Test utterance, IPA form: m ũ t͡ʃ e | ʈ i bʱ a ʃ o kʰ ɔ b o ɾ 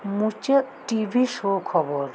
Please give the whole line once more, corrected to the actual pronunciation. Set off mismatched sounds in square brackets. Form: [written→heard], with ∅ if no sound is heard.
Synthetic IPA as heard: m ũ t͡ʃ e | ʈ i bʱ [a→i] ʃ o kʰ ɔ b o ɾ